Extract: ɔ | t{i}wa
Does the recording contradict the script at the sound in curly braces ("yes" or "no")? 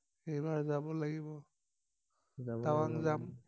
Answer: yes